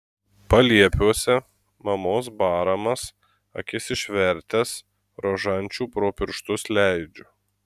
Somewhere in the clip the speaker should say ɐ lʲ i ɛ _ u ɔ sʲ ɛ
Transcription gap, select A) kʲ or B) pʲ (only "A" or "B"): B